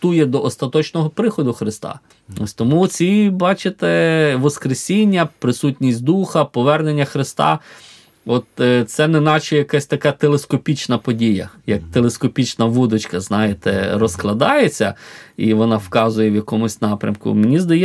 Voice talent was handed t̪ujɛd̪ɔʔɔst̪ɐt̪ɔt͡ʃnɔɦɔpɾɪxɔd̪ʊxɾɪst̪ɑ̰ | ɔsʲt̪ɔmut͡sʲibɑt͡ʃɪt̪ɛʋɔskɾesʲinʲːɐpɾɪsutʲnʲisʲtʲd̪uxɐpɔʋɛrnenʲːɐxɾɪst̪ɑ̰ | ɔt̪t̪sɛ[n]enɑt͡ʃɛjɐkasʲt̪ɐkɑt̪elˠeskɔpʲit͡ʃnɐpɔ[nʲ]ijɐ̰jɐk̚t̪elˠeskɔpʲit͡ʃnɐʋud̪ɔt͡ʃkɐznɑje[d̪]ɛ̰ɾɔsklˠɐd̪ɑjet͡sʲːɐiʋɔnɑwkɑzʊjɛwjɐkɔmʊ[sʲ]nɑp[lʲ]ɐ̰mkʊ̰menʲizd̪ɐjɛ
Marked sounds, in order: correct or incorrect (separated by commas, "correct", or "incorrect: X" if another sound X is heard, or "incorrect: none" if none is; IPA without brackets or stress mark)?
correct, incorrect: dʲ, incorrect: t̪, correct, incorrect: ɾʲ